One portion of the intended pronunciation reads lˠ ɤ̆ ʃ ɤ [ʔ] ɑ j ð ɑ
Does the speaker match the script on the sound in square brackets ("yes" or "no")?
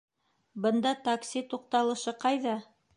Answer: no